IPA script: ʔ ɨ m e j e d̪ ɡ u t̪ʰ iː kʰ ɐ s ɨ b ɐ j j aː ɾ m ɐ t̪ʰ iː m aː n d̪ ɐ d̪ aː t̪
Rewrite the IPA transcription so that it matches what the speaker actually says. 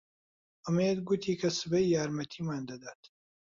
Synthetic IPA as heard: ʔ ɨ m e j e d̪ ɡ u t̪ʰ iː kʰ ɐ s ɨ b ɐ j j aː ɾ m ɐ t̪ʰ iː m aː n d̪ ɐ d̪ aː t̪